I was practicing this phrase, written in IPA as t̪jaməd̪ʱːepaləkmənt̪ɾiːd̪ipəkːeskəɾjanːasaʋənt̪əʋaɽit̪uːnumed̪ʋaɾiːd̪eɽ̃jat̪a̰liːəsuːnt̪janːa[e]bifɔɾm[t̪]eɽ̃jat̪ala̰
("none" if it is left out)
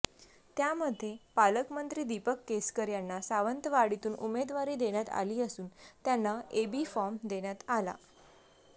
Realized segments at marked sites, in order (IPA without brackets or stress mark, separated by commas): e, d̪